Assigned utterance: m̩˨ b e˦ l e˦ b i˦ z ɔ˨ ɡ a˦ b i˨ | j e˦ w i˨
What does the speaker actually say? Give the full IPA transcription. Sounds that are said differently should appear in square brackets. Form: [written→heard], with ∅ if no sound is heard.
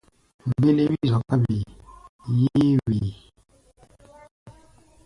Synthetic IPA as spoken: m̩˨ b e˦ l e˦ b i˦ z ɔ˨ [ɡ→k] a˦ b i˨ | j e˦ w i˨